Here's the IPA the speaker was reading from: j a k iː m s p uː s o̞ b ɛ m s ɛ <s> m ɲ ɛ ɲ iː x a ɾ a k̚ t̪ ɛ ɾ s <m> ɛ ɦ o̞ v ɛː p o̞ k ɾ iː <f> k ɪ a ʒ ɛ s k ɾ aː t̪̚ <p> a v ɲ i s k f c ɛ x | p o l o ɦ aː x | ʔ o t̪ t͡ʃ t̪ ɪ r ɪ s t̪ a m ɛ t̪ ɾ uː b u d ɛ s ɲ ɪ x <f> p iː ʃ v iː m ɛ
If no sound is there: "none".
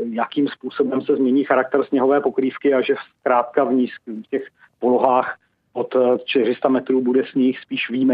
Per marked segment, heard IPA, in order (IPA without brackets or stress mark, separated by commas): z, ɲ, f, k, s